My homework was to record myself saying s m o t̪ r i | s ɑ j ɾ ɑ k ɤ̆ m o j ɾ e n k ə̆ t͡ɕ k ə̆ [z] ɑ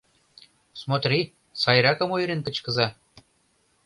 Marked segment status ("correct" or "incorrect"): correct